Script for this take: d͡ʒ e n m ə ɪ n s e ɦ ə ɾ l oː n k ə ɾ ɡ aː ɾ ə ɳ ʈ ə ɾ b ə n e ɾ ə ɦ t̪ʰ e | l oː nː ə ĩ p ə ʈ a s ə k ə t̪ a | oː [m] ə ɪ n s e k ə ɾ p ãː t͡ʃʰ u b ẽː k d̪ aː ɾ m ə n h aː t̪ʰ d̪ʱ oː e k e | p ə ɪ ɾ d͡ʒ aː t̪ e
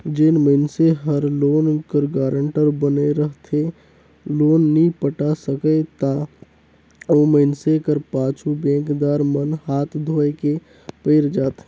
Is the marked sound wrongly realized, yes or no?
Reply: no